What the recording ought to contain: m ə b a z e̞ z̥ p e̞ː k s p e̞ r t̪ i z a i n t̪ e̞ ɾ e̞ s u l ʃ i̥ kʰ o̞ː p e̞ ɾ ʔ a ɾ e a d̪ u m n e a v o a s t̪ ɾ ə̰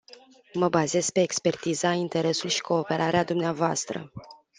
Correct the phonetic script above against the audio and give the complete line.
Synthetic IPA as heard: m ə b a z e̞ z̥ p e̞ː k s p e̞ r t̪ i z a i n t̪ e̞ ɾ e̞ s u l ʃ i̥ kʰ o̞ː p e̞ ɾ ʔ a ɾ e a d̪ u m n e a v o a s t̪ ɾ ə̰